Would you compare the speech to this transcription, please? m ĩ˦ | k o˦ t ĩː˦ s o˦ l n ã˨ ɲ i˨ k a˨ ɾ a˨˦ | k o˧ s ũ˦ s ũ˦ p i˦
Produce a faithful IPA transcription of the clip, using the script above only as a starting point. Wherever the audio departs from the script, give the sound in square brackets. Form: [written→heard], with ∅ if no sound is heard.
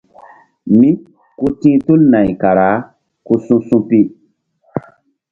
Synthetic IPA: m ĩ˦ | k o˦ t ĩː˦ [s→t] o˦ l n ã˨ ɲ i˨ k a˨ ɾ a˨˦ | k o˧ s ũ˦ s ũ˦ p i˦